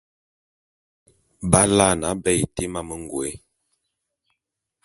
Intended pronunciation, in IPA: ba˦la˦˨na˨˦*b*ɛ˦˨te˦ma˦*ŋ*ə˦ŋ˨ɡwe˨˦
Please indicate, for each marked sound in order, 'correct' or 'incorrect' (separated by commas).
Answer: correct, incorrect